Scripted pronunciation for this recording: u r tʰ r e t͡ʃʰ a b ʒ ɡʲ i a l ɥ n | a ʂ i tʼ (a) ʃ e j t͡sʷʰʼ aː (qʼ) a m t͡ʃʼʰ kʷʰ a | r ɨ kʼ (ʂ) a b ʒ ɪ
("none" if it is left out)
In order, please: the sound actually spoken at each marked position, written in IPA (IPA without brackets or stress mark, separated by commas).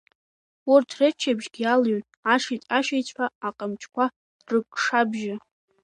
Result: a, qʼ, ʂ